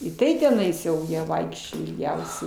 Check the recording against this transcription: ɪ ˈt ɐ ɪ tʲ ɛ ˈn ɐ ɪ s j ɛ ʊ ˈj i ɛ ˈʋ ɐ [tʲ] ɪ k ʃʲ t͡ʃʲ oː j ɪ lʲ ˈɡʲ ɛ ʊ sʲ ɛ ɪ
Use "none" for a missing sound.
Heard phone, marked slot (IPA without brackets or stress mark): none